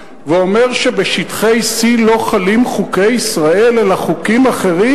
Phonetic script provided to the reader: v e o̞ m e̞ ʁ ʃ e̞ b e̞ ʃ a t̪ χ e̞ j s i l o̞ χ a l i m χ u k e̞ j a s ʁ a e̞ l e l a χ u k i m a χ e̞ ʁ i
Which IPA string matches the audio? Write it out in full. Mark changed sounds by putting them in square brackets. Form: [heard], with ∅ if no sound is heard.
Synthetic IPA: v e o̞ m e̞ ʁ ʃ e̞ b e̞ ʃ [i] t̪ χ e̞ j s i l o̞ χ a l i m χ u k e̞ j [i] s ʁ a e̞ l e l a χ u k i m a χ e̞ ʁ i